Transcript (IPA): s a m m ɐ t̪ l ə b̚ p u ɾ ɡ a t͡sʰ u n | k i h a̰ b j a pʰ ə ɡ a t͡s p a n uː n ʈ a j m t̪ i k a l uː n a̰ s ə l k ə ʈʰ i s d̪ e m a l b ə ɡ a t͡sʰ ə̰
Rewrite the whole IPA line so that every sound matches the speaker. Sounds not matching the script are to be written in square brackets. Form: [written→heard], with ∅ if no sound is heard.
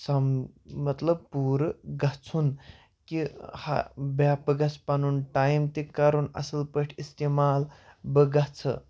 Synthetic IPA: s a m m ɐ t̪ l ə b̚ p u ɾ ɡ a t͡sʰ u n | k i h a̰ b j a [pʰ→p] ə ɡ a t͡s p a n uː n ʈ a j m t̪ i k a [l→ɾ] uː n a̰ s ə l [k→p] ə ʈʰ i s [d̪→t̪] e m a l b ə ɡ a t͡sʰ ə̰

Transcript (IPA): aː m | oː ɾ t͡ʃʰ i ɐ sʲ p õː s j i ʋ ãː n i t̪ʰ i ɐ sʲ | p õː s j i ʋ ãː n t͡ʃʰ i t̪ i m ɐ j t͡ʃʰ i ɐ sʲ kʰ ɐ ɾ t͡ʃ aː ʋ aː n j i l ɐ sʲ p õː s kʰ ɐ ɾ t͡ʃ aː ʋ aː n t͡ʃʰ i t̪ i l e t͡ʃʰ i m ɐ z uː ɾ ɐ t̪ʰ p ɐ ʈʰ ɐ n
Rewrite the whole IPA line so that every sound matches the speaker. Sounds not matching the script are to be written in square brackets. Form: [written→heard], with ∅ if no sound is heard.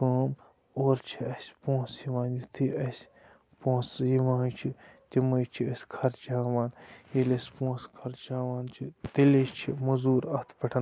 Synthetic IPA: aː m | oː ɾ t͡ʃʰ i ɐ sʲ p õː s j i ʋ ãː n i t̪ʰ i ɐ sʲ | p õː s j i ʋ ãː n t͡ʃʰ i t̪ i m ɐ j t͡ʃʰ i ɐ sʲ kʰ ɐ ɾ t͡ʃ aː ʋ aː n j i l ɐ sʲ p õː s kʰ ɐ ɾ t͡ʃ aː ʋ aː n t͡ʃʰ i t̪ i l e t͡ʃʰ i m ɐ z uː ɾ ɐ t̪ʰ p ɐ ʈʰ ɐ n

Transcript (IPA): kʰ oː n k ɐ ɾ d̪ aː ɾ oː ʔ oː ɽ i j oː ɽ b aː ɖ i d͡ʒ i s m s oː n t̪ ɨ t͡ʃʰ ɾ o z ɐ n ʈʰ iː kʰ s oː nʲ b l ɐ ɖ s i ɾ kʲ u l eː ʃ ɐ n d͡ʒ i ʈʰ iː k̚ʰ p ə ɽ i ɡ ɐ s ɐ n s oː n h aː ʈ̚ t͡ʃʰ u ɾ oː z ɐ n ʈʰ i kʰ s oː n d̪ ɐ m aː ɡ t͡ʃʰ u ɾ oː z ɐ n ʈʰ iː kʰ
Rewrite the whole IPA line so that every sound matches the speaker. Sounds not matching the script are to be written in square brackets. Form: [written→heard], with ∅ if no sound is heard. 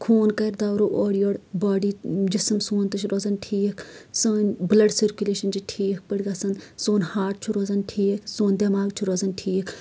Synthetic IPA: kʰ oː n k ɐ ɾ d̪ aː ɾ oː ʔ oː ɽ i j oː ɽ b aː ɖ i d͡ʒ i s m s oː n t̪ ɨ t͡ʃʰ ɾ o z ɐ n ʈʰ iː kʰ s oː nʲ b l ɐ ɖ s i ɾ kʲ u l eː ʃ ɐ n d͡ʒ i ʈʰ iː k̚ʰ p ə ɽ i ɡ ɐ s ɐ n s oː n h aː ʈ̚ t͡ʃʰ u ɾ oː z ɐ n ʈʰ [i→iː] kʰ s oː n d̪ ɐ m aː ɡ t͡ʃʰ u ɾ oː z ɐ n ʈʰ iː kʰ

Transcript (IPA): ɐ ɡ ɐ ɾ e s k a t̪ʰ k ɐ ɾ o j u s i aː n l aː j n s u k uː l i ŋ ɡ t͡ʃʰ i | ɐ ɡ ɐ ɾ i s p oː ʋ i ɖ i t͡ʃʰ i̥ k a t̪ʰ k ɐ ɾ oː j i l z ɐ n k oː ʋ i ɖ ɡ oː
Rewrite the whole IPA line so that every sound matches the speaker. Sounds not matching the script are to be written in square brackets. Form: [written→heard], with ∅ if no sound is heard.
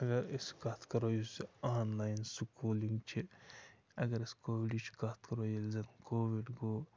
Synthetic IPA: ɐ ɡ ɐ ɾ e s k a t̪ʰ k ɐ ɾ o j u s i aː n l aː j n s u k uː l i ŋ ɡ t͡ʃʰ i | ɐ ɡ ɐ ɾ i s [p→k] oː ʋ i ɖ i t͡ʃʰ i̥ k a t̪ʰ k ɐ ɾ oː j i l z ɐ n k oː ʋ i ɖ ɡ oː

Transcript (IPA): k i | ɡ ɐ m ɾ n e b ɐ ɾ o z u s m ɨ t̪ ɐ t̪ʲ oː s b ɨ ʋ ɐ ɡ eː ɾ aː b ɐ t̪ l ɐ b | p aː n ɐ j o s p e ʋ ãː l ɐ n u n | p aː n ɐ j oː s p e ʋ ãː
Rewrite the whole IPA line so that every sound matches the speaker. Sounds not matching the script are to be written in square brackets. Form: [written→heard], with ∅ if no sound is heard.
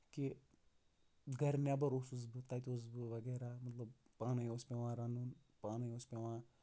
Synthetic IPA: k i | ɡ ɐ [m→∅] ɾ n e b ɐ ɾ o [z→s] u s [m→b] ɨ t̪ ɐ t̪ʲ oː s b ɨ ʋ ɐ ɡ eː ɾ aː [b→m] ɐ t̪ l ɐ b | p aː n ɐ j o s p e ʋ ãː [l→ɾ] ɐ n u n | p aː n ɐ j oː s p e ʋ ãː

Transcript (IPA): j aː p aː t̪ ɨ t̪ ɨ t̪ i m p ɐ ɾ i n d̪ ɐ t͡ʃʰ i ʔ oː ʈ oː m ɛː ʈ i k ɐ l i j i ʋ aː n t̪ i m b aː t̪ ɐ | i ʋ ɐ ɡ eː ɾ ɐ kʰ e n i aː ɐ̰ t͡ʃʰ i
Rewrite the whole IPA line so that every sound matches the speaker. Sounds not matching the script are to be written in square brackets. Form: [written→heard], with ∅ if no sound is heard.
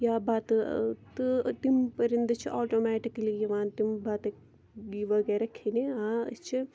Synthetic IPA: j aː [p→b] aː t̪ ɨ t̪ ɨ t̪ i m p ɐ ɾ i n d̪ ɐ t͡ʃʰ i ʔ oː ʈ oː m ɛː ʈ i k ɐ l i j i ʋ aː n t̪ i m b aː t̪ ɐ | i ʋ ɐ ɡ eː ɾ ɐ kʰ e n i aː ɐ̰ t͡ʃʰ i

